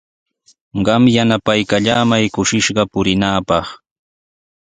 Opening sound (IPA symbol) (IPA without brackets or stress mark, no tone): ɢ